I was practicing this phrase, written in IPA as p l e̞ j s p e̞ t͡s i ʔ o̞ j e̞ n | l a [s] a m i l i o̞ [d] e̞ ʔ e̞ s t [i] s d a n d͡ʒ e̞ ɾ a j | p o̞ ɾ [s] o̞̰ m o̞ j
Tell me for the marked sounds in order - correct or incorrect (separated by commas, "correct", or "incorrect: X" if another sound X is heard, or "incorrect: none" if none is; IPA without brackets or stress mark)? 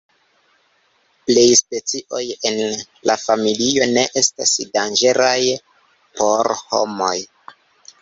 incorrect: f, incorrect: n, incorrect: a, incorrect: h